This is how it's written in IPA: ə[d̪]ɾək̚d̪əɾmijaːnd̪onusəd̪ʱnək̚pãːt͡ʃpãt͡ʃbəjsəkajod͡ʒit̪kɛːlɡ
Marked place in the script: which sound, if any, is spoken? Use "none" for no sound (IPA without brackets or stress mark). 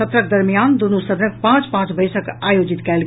t̪